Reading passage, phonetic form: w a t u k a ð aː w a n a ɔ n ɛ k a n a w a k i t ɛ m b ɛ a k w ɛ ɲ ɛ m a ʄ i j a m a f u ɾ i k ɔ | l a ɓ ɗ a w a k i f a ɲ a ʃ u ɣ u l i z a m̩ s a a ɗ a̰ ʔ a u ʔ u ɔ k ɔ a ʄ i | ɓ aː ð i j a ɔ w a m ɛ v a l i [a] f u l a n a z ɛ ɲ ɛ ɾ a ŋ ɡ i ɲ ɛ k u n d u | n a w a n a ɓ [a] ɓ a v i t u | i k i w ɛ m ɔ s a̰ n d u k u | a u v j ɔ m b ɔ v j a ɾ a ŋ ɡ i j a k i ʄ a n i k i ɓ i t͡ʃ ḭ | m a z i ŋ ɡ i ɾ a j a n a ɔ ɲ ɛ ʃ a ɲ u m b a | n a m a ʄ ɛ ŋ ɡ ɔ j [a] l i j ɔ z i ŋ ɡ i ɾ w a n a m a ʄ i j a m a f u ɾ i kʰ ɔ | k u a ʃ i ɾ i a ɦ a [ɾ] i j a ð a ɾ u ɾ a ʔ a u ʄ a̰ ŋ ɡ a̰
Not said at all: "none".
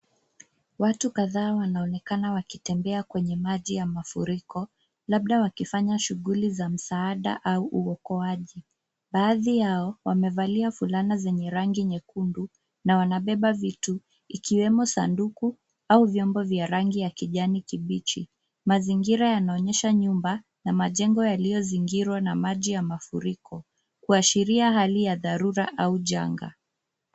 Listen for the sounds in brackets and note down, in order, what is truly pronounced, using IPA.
a, ɛ, a, l

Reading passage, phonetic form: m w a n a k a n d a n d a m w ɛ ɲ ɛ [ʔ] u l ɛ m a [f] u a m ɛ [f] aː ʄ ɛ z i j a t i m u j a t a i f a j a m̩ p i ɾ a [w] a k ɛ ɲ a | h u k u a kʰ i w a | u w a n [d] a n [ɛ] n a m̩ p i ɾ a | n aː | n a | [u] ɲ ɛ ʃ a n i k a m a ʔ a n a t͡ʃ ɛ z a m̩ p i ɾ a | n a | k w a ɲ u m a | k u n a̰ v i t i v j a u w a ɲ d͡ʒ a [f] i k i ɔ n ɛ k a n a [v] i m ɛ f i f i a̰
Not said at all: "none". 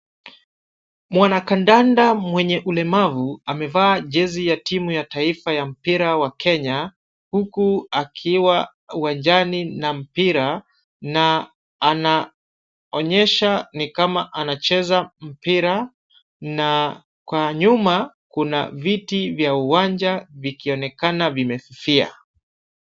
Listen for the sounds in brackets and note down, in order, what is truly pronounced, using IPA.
ʔ, v, v, w, d͡ʒ, i, ɔ, v, v

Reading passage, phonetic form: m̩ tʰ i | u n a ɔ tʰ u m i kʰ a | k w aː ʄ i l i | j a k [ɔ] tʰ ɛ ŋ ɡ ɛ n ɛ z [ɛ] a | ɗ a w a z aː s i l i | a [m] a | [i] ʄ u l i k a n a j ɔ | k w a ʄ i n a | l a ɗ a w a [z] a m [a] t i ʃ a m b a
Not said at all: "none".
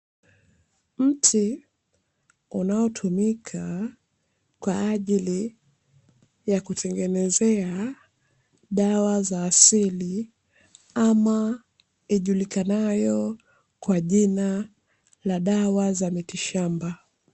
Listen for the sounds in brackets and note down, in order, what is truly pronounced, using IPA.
u, ɛ, m, i, z, i

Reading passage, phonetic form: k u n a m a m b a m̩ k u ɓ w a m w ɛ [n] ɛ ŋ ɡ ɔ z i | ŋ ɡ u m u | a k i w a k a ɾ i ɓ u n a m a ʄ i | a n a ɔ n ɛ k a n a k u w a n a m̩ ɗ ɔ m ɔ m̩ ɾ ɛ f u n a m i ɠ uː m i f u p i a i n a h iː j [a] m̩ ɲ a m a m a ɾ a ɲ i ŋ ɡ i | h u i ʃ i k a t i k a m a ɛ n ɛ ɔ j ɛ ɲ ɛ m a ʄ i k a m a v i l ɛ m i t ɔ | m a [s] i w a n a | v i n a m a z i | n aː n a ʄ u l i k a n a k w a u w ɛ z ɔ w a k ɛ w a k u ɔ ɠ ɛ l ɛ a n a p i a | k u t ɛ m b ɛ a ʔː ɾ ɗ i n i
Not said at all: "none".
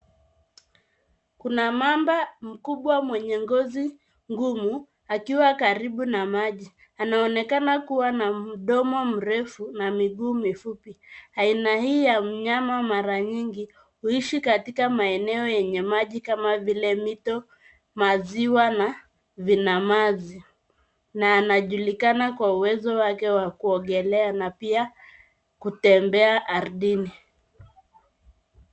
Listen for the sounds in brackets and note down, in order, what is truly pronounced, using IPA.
ɲ, a, z

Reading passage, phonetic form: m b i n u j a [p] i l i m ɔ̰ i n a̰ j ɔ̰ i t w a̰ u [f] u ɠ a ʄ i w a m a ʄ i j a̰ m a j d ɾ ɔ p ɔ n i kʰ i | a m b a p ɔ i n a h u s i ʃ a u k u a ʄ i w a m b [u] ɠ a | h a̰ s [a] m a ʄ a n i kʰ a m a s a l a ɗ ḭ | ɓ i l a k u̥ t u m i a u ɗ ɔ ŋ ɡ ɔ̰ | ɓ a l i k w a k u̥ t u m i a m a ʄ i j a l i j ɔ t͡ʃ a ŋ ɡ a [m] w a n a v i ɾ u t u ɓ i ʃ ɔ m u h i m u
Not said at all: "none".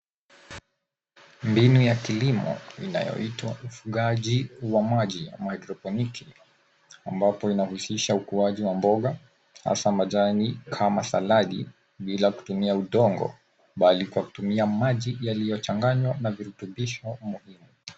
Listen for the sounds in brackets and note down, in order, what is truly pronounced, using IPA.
k, f, ɔ, a, ɲ

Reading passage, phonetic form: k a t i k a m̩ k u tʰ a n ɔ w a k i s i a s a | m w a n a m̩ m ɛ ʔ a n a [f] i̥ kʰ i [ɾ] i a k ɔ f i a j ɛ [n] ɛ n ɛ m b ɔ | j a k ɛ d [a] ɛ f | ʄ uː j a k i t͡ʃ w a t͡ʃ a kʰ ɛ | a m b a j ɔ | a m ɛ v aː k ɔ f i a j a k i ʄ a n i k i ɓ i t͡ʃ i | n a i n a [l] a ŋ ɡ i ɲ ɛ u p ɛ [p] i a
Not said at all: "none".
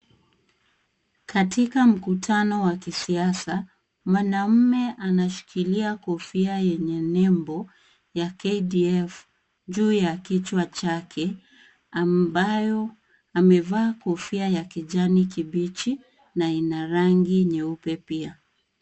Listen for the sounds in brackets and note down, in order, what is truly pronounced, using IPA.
ʃ, l, ɲ, i, ɾ, p

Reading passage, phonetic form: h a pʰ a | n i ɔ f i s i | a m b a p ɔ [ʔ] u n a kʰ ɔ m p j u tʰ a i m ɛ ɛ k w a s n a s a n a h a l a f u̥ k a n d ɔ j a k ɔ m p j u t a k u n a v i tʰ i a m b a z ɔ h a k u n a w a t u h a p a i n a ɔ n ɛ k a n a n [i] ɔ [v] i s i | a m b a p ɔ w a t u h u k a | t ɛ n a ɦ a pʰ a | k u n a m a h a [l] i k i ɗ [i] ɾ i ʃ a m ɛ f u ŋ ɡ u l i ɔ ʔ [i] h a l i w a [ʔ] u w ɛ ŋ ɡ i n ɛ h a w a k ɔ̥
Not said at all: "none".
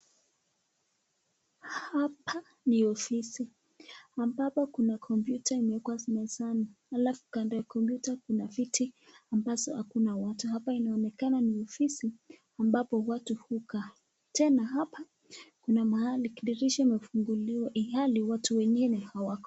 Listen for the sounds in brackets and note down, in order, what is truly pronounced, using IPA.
k, i, f, l, i, i, t

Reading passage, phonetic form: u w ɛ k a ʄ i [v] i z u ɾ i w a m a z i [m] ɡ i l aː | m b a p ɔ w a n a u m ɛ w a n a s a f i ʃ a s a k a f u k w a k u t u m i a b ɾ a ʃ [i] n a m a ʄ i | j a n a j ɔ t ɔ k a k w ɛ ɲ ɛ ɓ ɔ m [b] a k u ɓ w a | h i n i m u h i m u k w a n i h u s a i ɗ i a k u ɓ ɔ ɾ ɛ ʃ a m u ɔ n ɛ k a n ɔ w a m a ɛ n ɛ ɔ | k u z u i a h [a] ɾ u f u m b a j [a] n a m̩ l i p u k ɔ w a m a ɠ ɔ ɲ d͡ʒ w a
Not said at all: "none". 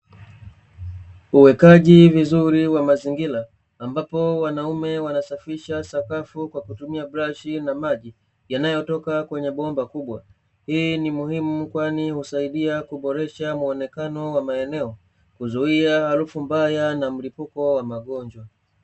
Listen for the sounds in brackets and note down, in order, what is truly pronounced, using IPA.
v, ŋ, i, b, a, a

